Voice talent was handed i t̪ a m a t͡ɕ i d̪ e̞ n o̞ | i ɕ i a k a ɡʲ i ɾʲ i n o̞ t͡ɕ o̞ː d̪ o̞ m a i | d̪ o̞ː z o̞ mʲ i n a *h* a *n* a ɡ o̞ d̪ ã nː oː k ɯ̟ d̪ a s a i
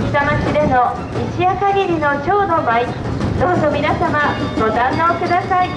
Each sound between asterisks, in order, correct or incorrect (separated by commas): incorrect, incorrect